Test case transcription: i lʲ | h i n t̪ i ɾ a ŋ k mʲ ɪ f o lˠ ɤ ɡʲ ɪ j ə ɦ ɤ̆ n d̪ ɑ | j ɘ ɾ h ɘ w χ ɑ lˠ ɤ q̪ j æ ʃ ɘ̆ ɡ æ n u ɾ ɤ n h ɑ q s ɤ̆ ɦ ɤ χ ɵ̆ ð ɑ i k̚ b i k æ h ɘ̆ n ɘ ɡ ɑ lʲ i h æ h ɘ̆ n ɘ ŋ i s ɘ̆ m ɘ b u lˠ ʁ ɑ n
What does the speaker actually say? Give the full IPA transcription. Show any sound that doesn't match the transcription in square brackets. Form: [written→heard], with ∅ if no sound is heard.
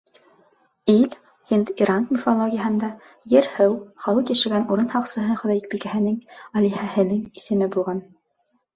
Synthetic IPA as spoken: i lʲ | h i n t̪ i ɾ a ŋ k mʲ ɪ f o lˠ [ɤ→o] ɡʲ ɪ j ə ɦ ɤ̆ n d̪ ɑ | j ɘ ɾ h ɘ w χ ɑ lˠ ɤ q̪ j æ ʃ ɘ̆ ɡ æ n u ɾ ɤ n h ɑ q s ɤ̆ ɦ ɤ χ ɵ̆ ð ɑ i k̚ b i k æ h ɘ̆ n ɘ [ɡ→ŋ] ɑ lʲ i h æ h ɘ̆ n ɘ ŋ i s ɘ̆ m ɘ b u lˠ ʁ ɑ n

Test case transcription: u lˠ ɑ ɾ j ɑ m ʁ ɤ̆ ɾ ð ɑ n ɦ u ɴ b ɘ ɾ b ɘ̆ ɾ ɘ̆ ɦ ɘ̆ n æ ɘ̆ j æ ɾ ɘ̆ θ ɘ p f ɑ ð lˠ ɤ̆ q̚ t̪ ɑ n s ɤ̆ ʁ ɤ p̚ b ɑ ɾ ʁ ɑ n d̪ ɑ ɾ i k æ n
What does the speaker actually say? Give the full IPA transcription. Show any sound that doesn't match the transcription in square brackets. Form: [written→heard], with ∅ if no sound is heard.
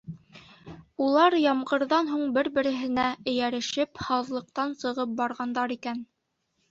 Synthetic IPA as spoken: u lˠ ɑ ɾ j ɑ m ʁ ɤ̆ ɾ ð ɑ n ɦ u ɴ b ɘ ɾ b ɘ̆ ɾ ɘ̆ ɦ ɘ̆ n æ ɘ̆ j æ ɾ ɘ̆ [θ→ʃ] ɘ p [f→h] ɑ ð lˠ ɤ̆ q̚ t̪ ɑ n s ɤ̆ ʁ ɤ p̚ b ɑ ɾ ʁ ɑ n d̪ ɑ ɾ i k æ n

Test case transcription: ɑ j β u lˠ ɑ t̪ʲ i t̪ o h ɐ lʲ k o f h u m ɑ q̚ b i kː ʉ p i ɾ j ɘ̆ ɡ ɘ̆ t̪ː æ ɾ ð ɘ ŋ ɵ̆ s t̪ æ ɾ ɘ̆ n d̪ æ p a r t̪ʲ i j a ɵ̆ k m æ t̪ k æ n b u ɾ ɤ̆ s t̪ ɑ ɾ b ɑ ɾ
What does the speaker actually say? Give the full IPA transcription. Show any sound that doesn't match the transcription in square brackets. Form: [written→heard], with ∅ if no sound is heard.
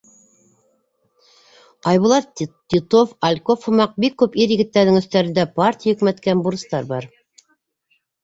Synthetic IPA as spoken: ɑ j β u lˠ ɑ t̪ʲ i t̪ o [h→f] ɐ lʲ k o f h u m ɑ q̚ b i kː ʉ p i ɾ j ɘ̆ ɡ ɘ̆ t̪ː æ ɾ ð ɘ ŋ ɵ̆ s t̪ æ ɾ ɘ̆ n d̪ æ p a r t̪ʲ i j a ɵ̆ k m æ t̪ k æ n b u ɾ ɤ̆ s t̪ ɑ ɾ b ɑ ɾ

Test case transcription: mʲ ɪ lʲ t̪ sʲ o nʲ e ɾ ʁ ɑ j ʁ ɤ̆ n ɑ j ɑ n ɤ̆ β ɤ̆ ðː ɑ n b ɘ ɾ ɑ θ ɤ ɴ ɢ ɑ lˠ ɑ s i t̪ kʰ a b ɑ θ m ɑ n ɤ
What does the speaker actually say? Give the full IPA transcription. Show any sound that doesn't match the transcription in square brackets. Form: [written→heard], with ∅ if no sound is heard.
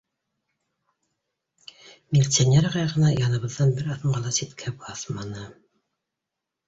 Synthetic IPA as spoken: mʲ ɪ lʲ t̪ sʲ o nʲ e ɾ ʁ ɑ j ʁ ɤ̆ n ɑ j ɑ n ɤ̆ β ɤ̆ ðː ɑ n b ɘ ɾ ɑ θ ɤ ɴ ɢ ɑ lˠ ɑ s i t̪ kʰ [a→æ] b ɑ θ m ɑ n ɤ

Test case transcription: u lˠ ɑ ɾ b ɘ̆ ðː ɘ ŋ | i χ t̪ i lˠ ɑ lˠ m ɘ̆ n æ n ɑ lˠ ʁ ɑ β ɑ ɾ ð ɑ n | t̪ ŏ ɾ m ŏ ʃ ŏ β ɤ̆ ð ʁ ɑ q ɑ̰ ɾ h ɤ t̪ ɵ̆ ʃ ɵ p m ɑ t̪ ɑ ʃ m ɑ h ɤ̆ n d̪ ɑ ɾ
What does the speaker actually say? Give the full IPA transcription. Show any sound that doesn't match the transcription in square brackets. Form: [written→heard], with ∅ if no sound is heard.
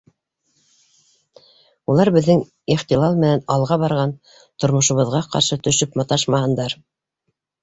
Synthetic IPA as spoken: u lˠ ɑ ɾ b ɘ̆ ðː ɘ ŋ | i χ t̪ i lˠ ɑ lˠ m ɘ̆ n æ n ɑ lˠ ʁ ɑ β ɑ ɾ [ð→ʁ] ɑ n | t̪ ŏ ɾ m ŏ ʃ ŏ β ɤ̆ ð ʁ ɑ q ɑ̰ ɾ [h→ʃ] ɤ t̪ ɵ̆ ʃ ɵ p m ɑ t̪ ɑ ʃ m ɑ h ɤ̆ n d̪ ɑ ɾ

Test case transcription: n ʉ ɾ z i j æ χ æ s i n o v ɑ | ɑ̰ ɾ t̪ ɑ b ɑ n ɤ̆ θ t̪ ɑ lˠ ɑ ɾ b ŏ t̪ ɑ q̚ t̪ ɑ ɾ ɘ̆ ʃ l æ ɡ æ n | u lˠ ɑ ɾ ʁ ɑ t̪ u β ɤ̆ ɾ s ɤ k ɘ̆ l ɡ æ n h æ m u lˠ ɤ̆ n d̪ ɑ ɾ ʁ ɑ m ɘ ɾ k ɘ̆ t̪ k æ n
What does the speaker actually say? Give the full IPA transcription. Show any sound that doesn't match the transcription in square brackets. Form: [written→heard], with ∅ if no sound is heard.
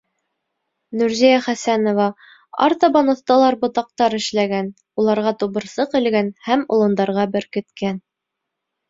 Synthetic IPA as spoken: n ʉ ɾ z i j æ χ æ s [i→æ] n o v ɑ | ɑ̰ ɾ t̪ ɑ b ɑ n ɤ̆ θ t̪ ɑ lˠ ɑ ɾ b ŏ t̪ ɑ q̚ t̪ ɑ ɾ ɘ̆ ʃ l æ ɡ æ n | u lˠ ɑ ɾ ʁ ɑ t̪ u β ɤ̆ ɾ s ɤ [k→q] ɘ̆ l ɡ æ n h æ m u lˠ ɤ̆ n d̪ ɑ ɾ ʁ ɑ [m→b] ɘ ɾ k ɘ̆ t̪ k æ n

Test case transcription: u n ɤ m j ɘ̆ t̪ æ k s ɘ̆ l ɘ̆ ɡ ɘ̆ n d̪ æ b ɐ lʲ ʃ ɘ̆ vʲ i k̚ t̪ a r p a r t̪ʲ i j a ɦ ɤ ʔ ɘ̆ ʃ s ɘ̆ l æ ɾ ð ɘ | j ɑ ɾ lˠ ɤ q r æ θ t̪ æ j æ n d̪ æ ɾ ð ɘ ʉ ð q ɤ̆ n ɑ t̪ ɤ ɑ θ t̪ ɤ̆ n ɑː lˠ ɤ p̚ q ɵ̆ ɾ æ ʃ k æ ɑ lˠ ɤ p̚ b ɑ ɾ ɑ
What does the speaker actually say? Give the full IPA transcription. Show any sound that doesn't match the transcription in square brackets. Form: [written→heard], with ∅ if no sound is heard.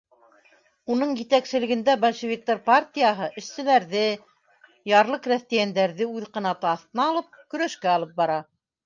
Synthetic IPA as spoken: u n ɤ [m→ɴ] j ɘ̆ t̪ æ k s ɘ̆ l ɘ̆ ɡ ɘ̆ n d̪ æ b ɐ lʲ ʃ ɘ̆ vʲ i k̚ t̪ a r p a r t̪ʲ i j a ɦ ɤ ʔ ɘ̆ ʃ s ɘ̆ l æ ɾ ð ɘ | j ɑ ɾ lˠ ɤ q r æ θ t̪ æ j æ n d̪ æ ɾ ð ɘ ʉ ð q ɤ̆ n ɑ t̪ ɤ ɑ θ t̪ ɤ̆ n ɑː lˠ ɤ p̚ [q→k] ɵ̆ ɾ æ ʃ k æ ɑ lˠ ɤ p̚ b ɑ ɾ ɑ

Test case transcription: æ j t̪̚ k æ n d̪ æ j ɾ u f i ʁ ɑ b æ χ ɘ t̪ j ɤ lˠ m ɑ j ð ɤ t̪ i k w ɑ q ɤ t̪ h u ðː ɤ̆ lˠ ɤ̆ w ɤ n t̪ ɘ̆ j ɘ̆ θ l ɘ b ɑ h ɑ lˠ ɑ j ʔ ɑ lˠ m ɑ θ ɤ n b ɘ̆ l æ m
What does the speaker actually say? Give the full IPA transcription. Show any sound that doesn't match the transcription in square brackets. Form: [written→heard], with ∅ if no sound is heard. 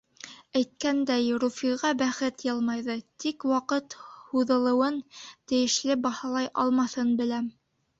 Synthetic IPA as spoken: æ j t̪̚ k æ n d̪ æ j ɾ u f i ʁ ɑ b æ χ ɘ t̪ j ɤ lˠ m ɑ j ð ɤ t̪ i k w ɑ q ɤ t̪ h u [ðː→ð] ɤ̆ lˠ ɤ̆ w ɤ n t̪ ɘ̆ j ɘ̆ [θ→ʃ] l ɘ b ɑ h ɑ lˠ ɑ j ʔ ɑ lˠ m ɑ θ ɤ n b ɘ̆ l æ m

